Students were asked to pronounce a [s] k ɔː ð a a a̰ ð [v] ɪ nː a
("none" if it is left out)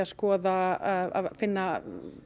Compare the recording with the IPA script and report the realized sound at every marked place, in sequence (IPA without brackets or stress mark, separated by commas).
s, f